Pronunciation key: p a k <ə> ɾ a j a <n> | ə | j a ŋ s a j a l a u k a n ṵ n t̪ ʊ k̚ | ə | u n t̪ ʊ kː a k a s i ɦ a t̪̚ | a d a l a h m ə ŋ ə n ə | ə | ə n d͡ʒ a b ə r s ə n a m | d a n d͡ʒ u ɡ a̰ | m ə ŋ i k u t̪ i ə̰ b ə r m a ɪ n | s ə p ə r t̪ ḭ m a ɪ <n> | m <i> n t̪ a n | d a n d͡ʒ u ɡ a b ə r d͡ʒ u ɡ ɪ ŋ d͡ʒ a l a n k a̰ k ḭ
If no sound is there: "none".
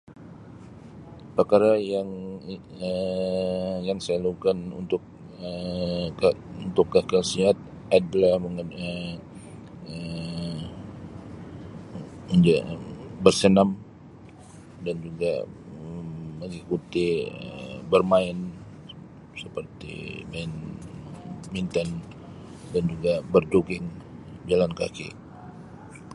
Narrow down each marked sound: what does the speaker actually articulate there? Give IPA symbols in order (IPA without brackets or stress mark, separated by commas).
a, ŋ, n, i